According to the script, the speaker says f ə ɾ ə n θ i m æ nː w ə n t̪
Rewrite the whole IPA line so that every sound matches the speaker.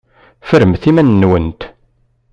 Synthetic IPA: f ə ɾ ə m θ i m æ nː w ə n t̪